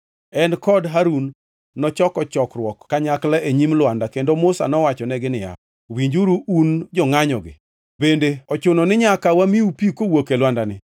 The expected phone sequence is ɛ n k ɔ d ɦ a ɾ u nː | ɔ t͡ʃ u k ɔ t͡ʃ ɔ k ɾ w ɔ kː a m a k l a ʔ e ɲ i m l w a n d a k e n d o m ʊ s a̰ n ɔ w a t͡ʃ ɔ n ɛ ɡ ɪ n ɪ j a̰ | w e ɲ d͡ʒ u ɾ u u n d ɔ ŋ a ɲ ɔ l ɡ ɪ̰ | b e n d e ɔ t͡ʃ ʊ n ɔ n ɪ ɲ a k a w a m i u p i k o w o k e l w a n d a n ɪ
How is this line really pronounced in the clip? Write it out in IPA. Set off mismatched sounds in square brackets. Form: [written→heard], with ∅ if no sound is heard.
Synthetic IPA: ɛ n k ɔ d ɦ a ɾ u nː | ɔ t͡ʃ [u→ɔ] k ɔ t͡ʃ ɔ k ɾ w ɔ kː a [m→ɲ] a k l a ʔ e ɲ i m l w a n d a k e n d o m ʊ s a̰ n ɔ w a t͡ʃ ɔ n ɛ ɡ ɪ n ɪ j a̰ | w [e→i] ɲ d͡ʒ u ɾ u u n [d→d͡ʒ] ɔ ŋ a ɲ ɔ [l→∅] ɡ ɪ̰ | b e n d e ɔ t͡ʃ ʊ n ɔ n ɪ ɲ a k a w a m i u p i k o w o k e l w a n d a n ɪ